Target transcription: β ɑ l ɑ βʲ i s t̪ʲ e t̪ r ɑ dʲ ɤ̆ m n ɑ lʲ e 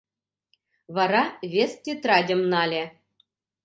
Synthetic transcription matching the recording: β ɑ ɾ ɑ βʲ e s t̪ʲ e t̪ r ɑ dʲ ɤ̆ m n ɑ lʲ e

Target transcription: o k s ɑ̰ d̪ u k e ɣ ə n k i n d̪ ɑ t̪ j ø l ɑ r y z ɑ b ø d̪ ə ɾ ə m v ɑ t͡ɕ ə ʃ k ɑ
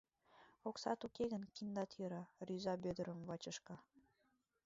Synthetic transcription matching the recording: o k s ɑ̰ t̪ u k e ɣ ə n k i n d̪ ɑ t̪ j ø ɾ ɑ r y z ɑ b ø d̪ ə ɾ ə m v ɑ t͡ɕ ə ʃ k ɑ

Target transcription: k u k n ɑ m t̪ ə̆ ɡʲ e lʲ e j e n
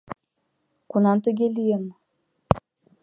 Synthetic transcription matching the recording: k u n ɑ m t̪ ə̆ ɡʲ e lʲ i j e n

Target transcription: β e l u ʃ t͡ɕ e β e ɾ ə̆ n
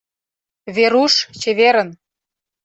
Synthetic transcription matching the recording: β e ɾ u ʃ t͡ɕ e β e ɾ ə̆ n

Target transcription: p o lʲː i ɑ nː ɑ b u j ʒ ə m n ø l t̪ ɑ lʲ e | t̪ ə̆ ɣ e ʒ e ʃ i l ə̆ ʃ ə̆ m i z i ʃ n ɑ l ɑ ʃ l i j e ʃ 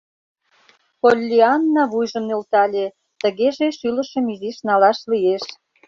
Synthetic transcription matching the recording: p o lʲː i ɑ nː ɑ β u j ʒ ə m n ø l t̪ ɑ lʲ e | t̪ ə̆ ɣ e ʒ e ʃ y l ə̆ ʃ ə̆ m i z i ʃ n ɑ l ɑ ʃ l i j e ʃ

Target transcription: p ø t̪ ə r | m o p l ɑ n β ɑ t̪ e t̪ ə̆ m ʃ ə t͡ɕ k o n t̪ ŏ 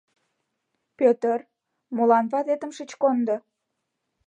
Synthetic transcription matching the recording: p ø t̪ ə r | m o l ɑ n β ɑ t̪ e t̪ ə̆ m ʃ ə t͡ɕ k o n d̪ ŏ

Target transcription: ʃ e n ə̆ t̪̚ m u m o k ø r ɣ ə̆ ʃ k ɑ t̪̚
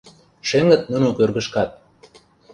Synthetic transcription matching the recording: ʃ e ŋ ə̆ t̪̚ n u n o k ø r ɣ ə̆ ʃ k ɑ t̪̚

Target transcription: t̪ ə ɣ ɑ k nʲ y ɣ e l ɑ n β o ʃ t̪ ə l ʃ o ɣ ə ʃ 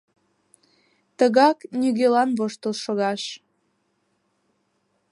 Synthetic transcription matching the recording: t̪ ə ɣ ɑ k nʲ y ɣ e l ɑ n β o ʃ t̪ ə l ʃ o ɣ ɑ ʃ

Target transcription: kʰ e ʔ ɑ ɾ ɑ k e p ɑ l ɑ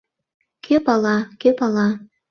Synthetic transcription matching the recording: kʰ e p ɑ l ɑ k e p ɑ l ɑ

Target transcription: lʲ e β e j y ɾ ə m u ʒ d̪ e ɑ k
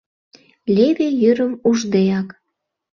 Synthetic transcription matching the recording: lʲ e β e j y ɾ ə m u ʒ d̪ e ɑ k

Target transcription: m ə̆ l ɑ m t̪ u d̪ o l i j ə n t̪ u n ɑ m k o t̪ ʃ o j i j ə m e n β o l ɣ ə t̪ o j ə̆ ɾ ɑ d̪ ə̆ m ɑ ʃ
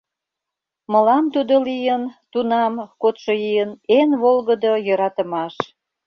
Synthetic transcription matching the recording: m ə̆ l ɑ m t̪ u d̪ o l i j ə n t̪ u n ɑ m k o t̪ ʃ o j i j ə n e n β o l ɣ ə d̪ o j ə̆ ɾ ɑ t̪ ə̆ m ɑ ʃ

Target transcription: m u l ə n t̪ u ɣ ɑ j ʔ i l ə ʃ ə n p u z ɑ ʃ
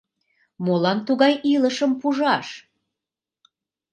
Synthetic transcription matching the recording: m o l ɑ n t̪ u ɣ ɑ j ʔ i l ə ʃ ə m p u ʒ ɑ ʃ

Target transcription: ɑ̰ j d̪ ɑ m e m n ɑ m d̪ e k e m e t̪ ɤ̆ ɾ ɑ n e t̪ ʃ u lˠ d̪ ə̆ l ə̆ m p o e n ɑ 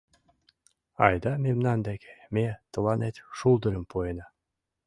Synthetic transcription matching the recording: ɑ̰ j d̪ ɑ m e m n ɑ n d̪ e k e m e t̪ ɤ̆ l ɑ n e t̪ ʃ u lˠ d̪ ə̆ ɾ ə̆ m p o e n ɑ

